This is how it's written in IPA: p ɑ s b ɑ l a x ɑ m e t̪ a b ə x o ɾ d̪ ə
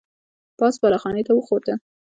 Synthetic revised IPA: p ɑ s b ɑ l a x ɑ n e t̪ a w ə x o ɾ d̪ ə